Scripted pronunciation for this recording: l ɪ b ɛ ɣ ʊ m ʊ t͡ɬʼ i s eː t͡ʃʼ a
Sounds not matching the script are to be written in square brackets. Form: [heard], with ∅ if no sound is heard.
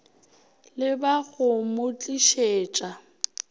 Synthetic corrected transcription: l ɪ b [a] ɣ ʊ m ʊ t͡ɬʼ i [ʃ] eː t͡ʃʼ a